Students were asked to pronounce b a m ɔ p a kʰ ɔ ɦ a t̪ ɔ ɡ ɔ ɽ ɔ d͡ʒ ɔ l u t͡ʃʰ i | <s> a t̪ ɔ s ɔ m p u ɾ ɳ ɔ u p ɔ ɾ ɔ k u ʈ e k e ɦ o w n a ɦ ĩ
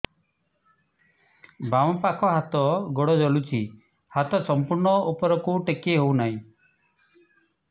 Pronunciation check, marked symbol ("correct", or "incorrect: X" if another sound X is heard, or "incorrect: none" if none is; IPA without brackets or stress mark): incorrect: h